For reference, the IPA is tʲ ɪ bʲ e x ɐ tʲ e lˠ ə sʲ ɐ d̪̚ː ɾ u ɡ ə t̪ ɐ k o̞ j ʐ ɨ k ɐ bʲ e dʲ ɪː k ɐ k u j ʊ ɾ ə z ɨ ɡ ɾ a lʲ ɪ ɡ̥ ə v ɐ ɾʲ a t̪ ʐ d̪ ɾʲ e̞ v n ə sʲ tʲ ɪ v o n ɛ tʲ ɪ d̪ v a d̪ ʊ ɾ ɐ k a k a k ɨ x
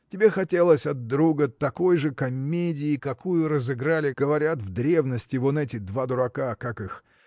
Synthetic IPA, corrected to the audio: tʲ ɪ bʲ e x ɐ tʲ e lˠ ə sʲ ɐ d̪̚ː ɾ u ɡ ə t̪ ɐ k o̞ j ʐ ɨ k ɐ mʲ e dʲ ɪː k ɐ k u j ʊ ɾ ə z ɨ ɡ ɾ a lʲ ɪ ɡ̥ ə v ɐ ɾʲ a t̪ v d̪ ɾʲ e̞ v n ə sʲ tʲ ɪ v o n ɛ tʲ ɪ d̪ v a d̪ ʊ ɾ ɐ k a k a k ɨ x